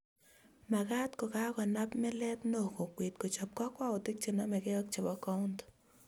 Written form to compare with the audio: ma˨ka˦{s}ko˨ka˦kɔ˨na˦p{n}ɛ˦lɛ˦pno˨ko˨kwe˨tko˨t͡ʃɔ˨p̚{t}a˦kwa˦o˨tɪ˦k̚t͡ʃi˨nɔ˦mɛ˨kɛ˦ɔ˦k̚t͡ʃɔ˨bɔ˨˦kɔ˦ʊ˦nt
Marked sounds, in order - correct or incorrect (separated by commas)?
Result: incorrect, incorrect, incorrect